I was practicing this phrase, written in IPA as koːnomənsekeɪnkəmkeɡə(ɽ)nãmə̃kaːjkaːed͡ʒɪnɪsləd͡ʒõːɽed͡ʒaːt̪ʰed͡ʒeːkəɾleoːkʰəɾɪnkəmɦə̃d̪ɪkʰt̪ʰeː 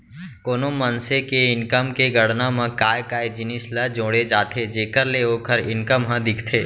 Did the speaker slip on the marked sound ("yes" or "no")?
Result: no